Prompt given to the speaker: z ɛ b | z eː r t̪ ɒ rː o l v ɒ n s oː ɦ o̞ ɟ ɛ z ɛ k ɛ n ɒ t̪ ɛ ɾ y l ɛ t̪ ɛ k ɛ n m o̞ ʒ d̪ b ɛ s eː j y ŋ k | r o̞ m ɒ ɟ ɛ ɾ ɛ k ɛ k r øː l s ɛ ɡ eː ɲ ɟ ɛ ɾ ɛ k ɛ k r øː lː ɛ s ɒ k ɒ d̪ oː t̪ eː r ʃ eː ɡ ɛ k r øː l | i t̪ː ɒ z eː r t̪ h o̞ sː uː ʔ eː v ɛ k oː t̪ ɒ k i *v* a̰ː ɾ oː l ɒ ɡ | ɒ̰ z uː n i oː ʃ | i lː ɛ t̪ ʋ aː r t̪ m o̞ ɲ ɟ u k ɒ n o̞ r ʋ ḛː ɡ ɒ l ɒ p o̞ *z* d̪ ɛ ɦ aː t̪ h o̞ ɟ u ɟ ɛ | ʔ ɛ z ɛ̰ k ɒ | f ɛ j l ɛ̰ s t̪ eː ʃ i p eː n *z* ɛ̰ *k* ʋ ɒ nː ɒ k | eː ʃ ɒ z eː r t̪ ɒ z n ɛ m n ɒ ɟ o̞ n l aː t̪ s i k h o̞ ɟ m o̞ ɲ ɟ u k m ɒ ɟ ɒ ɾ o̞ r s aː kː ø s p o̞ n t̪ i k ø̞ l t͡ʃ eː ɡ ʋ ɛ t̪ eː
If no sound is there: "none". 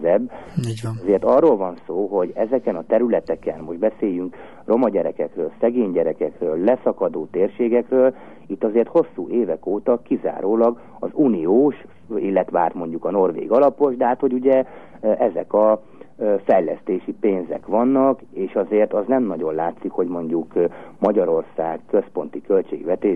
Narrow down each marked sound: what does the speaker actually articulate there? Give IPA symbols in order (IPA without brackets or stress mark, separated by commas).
z, ʒ, z, k